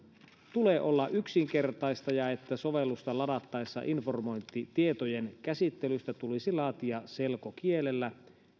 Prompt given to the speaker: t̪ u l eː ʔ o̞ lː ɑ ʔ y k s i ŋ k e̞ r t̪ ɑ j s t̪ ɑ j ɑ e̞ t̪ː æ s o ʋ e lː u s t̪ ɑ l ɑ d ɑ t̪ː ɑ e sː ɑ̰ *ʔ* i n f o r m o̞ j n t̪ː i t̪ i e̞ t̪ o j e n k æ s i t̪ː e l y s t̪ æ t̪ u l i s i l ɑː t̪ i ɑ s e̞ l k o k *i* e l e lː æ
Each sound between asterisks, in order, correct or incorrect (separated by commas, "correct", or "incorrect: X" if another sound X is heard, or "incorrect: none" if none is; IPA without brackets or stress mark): correct, correct